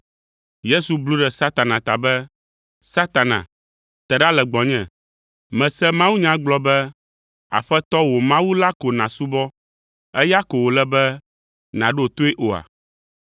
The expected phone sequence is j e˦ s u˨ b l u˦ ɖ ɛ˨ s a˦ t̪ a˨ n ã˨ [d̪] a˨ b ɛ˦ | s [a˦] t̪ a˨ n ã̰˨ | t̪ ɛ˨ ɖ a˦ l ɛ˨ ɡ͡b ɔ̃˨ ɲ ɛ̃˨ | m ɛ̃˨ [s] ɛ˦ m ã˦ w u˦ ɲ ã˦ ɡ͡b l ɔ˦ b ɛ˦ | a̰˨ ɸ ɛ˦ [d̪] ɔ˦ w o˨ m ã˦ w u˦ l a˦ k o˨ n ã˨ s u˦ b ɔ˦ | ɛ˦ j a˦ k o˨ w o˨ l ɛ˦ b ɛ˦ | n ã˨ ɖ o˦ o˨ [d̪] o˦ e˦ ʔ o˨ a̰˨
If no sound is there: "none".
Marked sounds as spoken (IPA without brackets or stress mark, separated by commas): t̪, a˦, s, t̪, t̪